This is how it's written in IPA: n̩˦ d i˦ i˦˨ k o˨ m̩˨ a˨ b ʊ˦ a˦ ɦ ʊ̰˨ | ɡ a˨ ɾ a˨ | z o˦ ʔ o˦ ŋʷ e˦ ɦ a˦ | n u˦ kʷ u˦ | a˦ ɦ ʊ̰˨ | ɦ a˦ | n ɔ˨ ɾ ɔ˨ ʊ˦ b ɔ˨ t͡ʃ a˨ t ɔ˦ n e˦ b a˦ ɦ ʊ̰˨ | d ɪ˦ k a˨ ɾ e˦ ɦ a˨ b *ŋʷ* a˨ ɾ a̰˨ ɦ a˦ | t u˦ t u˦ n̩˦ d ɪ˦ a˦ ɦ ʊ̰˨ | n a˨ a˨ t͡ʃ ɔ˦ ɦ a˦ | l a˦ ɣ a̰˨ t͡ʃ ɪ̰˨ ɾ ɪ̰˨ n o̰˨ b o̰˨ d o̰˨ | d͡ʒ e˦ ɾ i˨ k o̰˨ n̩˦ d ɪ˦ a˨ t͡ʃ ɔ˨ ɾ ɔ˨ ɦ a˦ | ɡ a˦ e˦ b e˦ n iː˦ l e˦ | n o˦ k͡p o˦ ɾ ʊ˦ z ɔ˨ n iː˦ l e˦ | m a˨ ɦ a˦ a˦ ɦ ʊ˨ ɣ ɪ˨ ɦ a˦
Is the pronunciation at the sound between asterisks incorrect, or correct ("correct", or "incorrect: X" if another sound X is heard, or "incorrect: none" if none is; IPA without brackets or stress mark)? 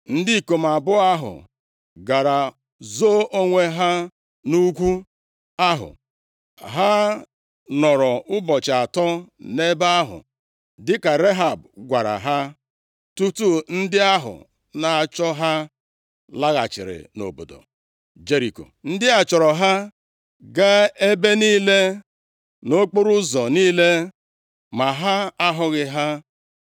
incorrect: ɡʷ